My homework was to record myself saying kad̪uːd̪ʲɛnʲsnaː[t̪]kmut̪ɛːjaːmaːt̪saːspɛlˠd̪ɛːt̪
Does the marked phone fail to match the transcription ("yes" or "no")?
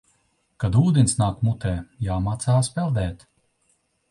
yes